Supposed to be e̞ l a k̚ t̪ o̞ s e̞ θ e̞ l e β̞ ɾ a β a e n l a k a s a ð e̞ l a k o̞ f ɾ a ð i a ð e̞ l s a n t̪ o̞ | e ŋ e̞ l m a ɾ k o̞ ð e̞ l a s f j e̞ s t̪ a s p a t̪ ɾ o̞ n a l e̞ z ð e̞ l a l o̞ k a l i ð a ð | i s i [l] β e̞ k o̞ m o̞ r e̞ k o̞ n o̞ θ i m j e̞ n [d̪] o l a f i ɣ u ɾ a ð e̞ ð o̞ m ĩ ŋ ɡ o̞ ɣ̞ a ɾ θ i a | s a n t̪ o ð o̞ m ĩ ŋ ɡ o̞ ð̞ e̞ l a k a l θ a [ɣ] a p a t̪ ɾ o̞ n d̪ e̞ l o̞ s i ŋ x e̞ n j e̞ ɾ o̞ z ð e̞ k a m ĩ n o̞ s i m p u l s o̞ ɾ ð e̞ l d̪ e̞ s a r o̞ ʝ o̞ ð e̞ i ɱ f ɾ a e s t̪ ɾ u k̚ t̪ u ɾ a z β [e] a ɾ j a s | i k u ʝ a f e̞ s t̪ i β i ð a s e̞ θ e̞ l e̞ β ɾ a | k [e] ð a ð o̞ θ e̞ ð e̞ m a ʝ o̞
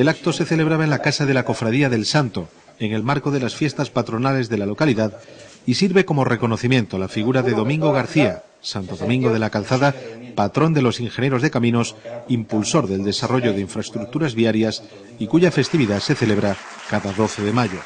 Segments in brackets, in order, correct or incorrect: incorrect, incorrect, incorrect, incorrect, incorrect

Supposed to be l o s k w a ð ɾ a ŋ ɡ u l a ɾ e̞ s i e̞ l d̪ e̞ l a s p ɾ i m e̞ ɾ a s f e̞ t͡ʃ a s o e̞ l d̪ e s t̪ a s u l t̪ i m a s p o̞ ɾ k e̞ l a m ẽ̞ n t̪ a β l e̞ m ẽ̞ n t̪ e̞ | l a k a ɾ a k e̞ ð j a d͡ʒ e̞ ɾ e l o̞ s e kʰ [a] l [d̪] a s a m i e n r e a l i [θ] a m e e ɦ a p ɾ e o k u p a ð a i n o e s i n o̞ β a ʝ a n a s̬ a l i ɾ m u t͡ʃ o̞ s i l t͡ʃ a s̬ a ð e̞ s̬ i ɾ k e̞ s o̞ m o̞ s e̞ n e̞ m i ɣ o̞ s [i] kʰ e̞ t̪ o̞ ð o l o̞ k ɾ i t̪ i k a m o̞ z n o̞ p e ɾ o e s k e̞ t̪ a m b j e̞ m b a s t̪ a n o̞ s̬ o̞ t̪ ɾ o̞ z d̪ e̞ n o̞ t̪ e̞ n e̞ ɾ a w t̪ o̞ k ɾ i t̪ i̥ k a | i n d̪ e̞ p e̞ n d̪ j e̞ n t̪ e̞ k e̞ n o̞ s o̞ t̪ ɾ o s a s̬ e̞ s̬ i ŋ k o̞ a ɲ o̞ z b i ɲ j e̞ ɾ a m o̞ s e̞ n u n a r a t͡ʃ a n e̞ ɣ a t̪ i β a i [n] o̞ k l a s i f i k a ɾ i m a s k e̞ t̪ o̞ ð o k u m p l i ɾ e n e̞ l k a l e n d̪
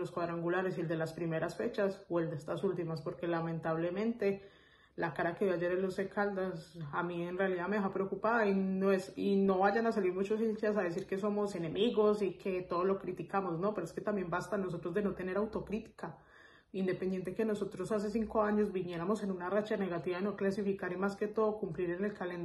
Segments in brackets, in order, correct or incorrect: correct, correct, incorrect, correct, correct

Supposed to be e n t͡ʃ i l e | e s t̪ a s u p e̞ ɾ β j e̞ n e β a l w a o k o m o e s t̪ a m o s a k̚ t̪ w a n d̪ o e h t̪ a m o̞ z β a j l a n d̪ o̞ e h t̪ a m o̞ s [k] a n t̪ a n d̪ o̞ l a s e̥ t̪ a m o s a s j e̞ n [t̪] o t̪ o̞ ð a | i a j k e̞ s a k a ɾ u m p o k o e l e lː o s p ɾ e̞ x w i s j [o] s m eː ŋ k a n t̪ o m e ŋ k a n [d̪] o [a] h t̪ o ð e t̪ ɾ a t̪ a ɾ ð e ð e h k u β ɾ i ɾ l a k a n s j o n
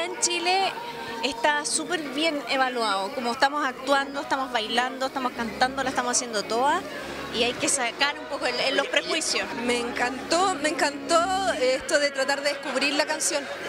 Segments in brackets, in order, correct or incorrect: correct, incorrect, correct, incorrect, incorrect

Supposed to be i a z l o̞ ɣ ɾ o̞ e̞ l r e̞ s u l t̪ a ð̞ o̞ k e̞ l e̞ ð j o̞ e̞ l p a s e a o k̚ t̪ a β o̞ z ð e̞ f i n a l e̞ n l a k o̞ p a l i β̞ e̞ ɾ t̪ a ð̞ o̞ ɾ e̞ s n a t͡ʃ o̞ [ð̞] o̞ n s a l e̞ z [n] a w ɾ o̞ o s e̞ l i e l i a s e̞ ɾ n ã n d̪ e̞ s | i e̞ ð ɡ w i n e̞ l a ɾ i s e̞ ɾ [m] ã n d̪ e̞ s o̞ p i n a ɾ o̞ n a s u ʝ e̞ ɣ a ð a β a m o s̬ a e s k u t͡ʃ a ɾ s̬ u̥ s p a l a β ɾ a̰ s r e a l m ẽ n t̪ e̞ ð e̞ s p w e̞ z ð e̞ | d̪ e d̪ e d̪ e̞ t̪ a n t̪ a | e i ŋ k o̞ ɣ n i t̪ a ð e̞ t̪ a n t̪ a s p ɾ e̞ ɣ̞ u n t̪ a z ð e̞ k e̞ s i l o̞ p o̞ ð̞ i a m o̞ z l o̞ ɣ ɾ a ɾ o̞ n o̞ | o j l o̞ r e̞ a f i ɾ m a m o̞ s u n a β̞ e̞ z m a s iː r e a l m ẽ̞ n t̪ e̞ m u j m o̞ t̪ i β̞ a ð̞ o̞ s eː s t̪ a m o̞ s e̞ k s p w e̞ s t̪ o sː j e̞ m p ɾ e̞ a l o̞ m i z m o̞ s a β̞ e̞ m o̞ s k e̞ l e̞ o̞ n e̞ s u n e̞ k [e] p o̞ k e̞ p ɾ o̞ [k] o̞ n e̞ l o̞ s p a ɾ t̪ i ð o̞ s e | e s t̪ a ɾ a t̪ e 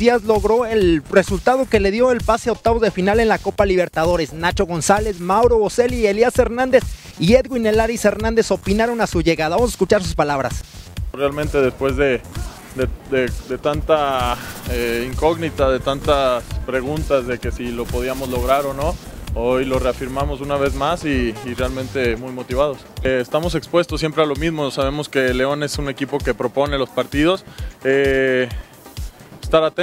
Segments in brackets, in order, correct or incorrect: incorrect, incorrect, incorrect, incorrect, incorrect

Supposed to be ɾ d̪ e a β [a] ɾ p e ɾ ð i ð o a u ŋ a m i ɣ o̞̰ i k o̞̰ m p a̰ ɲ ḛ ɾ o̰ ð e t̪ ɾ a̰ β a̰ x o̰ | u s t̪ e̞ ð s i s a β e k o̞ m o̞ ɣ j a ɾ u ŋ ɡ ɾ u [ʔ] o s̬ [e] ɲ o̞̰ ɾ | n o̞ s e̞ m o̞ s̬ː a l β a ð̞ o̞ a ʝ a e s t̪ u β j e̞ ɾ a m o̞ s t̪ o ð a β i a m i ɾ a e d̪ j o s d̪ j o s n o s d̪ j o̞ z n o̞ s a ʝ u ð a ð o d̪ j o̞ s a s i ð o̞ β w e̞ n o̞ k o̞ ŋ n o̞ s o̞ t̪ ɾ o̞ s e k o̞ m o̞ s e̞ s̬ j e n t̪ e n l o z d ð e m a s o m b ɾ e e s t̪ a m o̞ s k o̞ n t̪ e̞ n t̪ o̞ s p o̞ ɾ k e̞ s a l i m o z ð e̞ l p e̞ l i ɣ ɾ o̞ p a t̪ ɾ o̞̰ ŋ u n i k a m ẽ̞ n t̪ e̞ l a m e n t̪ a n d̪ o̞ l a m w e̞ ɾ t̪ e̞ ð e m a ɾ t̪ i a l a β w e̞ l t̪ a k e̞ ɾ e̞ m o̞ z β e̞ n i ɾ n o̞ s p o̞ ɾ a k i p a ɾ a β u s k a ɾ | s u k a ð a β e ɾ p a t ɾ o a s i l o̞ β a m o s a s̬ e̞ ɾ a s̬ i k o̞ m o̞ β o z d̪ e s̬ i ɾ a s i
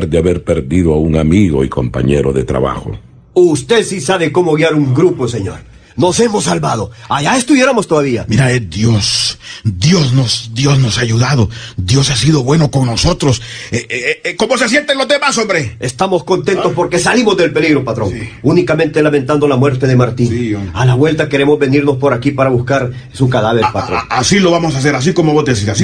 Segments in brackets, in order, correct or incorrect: incorrect, incorrect, correct

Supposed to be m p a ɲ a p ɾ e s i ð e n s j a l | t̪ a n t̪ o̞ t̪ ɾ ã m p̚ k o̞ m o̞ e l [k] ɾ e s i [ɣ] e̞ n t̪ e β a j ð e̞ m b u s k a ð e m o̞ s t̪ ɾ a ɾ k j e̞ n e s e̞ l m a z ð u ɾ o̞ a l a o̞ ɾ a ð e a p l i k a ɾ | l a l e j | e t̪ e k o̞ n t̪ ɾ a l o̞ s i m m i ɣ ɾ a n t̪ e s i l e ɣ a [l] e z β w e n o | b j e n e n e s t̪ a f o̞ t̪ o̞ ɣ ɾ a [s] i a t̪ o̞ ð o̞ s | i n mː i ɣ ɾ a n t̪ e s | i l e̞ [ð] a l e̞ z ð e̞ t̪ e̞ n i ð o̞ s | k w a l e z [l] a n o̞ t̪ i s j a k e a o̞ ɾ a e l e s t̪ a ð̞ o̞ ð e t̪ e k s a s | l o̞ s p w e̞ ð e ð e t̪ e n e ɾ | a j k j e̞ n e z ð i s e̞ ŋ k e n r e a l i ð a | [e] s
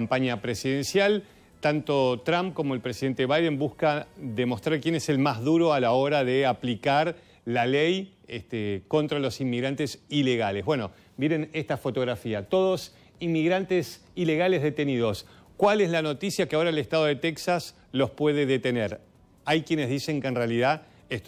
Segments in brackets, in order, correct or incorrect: incorrect, incorrect, correct, incorrect, incorrect, correct, correct

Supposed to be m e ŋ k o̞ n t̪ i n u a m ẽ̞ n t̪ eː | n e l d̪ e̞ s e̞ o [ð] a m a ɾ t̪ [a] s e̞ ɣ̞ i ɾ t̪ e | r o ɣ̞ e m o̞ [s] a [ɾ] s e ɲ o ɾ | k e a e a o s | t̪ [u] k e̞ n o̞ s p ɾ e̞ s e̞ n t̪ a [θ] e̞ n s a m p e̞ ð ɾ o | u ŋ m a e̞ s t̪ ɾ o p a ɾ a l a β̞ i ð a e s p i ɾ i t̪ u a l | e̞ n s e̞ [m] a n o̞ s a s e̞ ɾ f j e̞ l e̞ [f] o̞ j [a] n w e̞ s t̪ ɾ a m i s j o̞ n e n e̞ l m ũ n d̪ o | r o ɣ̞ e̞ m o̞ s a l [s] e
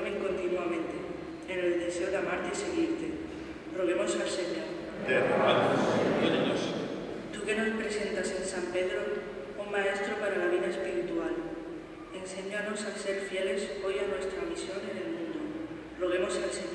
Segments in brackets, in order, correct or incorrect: correct, incorrect, correct, incorrect, correct, incorrect, incorrect, incorrect, correct, correct

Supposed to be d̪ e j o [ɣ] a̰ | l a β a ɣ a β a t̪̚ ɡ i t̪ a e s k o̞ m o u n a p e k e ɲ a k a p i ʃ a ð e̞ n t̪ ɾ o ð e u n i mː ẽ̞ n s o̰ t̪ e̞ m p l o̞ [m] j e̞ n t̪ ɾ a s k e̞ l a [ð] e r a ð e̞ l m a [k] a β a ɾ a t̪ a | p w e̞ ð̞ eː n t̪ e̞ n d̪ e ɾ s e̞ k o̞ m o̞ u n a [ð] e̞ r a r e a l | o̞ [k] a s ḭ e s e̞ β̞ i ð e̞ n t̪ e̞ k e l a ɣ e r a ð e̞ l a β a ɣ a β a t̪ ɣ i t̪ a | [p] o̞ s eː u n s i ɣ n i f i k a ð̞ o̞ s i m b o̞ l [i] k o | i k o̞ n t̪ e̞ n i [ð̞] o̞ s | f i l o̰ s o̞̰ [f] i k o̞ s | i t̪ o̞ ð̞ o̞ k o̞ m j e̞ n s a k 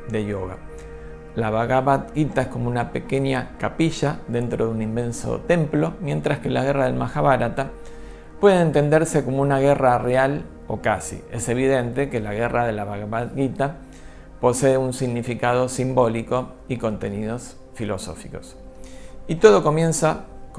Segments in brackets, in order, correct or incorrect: correct, correct, incorrect, incorrect, incorrect, correct, correct, correct, correct, correct

